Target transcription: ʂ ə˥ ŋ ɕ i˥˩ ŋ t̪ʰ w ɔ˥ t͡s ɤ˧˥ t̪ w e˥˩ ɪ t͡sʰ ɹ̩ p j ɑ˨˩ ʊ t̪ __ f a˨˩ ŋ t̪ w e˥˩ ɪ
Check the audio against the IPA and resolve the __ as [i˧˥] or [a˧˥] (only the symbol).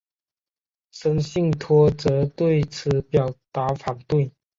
a˧˥